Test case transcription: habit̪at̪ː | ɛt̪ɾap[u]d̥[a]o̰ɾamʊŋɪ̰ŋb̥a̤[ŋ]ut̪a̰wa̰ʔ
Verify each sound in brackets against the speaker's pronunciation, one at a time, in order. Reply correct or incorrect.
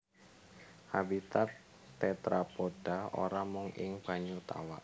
incorrect, correct, incorrect

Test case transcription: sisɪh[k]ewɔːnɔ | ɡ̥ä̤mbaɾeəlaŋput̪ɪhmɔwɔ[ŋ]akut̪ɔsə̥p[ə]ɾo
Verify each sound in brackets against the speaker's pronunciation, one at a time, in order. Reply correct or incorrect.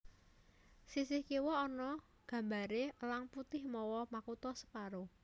correct, incorrect, incorrect

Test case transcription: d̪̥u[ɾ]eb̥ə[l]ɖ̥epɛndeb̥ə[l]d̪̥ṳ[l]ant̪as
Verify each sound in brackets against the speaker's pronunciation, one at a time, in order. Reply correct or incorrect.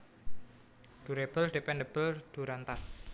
correct, correct, correct, incorrect

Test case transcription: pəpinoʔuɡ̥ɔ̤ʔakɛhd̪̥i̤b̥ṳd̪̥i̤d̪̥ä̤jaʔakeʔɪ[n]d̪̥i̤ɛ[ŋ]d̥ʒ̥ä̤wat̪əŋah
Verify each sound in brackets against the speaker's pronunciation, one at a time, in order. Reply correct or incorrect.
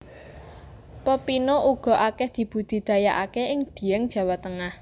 incorrect, correct

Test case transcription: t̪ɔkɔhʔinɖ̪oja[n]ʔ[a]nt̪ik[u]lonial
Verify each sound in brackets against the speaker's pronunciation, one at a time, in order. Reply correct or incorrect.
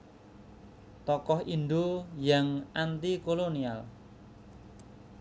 incorrect, correct, incorrect

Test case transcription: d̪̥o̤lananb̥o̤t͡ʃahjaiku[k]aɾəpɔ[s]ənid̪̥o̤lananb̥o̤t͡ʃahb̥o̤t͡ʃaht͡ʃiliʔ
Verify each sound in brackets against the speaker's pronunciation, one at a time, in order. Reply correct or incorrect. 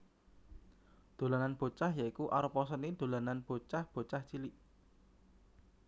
incorrect, correct

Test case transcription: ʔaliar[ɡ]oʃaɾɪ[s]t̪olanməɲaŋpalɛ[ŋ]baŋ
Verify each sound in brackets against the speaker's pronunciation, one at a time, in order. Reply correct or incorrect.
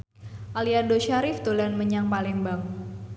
incorrect, incorrect, correct

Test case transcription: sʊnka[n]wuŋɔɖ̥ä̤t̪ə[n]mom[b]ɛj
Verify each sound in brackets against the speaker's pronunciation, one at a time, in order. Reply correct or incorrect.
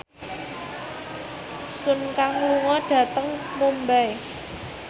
incorrect, incorrect, correct

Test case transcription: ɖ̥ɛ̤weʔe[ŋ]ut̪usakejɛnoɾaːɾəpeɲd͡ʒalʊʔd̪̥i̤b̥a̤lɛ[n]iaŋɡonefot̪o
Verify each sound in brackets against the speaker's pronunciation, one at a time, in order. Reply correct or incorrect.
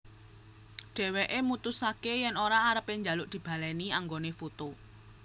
incorrect, correct

